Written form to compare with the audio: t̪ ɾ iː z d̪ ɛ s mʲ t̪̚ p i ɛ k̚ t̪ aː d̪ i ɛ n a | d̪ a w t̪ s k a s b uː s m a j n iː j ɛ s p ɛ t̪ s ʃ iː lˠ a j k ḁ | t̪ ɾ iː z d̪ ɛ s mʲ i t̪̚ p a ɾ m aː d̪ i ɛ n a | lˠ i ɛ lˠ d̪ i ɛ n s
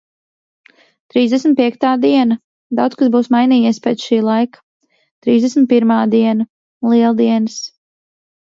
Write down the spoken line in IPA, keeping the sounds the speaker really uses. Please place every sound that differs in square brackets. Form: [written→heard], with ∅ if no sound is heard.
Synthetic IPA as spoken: t̪ ɾ iː z d̪ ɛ s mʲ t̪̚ p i ɛ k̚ t̪ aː d̪ i ɛ n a | d̪ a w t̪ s k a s b uː s m a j n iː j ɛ s p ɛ t̪ s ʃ iː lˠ a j k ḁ | t̪ ɾ iː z d̪ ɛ s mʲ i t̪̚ p [a→i] ɾ m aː d̪ i ɛ n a | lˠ i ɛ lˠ d̪ i ɛ n s